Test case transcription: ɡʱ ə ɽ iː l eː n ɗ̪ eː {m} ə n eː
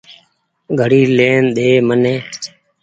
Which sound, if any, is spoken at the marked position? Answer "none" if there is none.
m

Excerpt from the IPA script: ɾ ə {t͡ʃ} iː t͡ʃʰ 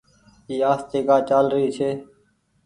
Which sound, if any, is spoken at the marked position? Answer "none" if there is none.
none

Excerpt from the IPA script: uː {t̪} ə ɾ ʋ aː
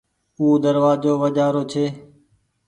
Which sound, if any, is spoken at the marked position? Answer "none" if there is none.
d̪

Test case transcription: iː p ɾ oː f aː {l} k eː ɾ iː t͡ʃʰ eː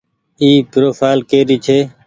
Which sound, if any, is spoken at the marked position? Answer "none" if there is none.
l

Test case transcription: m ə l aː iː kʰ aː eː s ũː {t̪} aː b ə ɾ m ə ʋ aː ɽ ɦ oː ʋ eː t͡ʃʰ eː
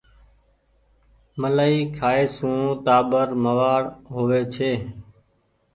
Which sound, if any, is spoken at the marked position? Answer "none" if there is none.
t̪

